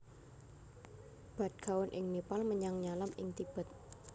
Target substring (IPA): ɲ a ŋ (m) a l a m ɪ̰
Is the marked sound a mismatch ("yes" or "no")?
yes